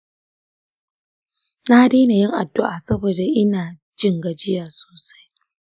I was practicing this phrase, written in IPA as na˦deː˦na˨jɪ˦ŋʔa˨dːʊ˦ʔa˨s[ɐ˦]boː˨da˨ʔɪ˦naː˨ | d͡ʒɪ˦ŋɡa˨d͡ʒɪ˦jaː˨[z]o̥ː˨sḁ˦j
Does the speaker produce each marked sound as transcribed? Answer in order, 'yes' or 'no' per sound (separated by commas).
yes, no